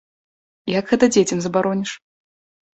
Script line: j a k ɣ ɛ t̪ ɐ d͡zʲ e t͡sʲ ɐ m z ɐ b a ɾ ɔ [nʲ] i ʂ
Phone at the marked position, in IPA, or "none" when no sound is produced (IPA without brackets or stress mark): nʲ